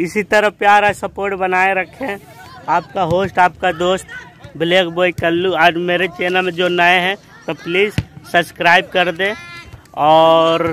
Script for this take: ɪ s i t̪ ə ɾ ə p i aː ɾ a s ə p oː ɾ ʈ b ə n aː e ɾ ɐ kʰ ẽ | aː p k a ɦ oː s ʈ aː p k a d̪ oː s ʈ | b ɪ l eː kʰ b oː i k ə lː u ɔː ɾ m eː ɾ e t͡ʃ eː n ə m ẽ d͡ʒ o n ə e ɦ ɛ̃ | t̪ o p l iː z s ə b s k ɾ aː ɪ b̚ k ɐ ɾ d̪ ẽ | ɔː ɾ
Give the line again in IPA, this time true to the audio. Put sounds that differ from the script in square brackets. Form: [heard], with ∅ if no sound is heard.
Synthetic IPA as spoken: ɪ s i t̪ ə ɾ ə p [j] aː ɾ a s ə p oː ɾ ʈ b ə n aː e ɾ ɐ kʰ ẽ | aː p k a ɦ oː s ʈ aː p k a d̪ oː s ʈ | b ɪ l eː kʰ b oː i k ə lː u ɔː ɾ m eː ɾ e t͡ʃ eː n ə m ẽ d͡ʒ o n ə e ɦ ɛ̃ | t̪ o p l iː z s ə b s k ɾ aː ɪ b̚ k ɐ ɾ d̪ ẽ | ɔː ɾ